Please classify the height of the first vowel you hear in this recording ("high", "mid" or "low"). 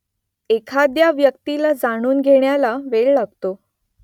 mid